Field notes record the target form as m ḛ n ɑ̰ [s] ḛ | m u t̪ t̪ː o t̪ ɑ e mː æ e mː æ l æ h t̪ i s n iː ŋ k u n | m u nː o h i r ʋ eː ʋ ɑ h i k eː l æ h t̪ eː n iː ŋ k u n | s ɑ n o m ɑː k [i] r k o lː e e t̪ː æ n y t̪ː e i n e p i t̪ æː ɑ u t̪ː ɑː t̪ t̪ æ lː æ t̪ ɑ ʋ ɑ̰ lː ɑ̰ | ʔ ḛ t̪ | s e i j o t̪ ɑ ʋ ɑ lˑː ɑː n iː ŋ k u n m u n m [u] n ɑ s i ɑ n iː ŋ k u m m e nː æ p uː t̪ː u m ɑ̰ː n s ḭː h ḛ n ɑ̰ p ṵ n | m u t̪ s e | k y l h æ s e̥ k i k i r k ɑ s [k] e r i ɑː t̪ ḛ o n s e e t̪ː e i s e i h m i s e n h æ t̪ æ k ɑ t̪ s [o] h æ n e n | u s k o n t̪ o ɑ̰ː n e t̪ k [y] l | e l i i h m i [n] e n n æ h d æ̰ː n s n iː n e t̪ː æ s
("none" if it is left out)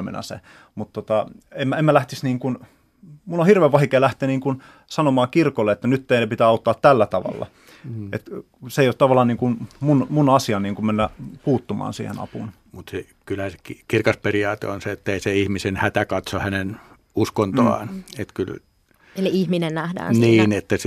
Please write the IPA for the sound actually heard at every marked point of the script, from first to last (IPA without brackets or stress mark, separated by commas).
s, i, u, p, o, y, n